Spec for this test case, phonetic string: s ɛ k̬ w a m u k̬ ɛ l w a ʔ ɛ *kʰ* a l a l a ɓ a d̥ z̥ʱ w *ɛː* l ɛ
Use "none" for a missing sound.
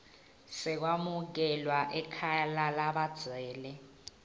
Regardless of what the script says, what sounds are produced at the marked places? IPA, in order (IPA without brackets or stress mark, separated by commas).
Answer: kʰ, ɛː